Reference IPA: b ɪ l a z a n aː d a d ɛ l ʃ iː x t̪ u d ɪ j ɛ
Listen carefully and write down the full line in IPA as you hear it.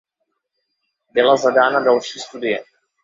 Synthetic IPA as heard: b ɪ l a z a d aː n a d a l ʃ iː s t̪ u d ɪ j ɛ